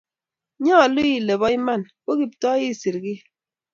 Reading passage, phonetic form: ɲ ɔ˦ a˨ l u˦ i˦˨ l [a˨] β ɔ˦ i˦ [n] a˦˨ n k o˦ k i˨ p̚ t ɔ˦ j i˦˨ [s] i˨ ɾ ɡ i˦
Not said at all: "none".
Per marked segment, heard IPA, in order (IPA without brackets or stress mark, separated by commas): e˨, m, s